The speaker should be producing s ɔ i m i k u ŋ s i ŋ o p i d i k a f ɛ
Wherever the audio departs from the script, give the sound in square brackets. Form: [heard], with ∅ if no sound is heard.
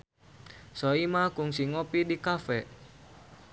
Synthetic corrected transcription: s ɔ i m [a] k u ŋ s i ŋ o p i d i k a f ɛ